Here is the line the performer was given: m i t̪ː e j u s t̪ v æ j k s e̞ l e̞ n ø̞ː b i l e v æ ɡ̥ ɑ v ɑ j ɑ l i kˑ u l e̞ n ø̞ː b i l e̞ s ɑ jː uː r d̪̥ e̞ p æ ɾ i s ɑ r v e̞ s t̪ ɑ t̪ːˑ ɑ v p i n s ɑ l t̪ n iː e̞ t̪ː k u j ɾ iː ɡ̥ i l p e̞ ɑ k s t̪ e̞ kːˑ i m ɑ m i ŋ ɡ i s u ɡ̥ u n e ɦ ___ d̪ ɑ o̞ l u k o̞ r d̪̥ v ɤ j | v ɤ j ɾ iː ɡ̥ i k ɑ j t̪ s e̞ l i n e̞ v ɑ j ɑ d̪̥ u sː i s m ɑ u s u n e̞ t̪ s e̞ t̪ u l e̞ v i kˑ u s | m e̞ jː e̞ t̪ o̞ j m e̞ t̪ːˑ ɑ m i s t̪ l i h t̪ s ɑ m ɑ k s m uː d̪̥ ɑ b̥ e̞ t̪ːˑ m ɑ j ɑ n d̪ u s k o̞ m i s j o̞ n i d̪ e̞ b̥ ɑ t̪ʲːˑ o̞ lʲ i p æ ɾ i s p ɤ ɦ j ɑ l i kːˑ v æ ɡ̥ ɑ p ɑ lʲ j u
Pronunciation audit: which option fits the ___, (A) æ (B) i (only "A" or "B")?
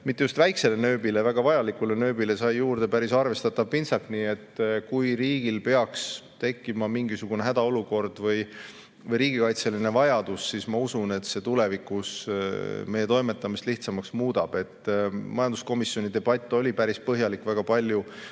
A